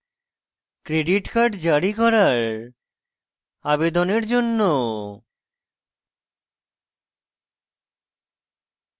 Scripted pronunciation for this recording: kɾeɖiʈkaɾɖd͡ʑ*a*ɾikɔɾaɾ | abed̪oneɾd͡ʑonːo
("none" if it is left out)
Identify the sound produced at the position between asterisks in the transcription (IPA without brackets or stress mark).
a